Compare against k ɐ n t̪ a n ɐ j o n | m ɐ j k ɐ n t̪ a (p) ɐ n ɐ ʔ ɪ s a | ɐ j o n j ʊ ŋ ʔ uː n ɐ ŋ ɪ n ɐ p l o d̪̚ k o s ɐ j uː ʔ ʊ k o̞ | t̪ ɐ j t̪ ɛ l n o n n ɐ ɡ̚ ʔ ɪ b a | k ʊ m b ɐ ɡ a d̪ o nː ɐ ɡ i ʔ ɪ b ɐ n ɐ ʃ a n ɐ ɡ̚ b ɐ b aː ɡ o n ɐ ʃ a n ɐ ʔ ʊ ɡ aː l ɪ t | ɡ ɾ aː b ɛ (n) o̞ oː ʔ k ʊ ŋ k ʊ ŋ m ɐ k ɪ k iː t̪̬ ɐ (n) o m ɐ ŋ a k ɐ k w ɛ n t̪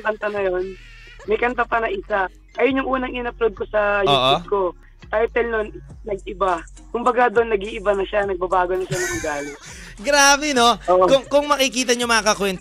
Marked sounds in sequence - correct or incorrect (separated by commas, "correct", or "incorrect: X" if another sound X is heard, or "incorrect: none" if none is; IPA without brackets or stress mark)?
correct, correct, incorrect: ɲ